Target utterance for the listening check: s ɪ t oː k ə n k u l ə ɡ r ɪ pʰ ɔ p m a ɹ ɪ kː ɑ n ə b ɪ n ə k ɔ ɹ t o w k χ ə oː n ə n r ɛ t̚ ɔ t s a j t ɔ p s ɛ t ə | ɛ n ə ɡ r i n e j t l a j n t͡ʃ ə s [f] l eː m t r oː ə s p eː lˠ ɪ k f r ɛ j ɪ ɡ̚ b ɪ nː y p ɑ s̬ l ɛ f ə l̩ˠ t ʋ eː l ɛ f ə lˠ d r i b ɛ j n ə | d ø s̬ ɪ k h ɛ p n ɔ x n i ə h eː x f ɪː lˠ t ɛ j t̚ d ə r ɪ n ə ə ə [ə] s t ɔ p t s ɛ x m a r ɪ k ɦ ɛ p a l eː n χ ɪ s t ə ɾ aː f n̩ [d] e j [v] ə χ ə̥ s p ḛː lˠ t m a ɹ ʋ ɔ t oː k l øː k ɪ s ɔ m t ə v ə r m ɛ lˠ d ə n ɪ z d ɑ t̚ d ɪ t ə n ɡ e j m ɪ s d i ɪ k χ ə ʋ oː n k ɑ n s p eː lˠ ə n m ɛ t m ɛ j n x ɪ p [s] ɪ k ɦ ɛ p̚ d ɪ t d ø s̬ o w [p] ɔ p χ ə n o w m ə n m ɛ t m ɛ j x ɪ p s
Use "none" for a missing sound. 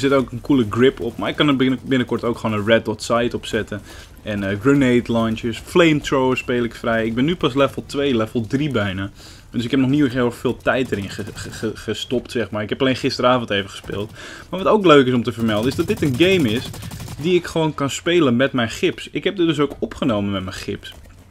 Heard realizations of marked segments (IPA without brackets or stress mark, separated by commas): f, ə, t, v, s, k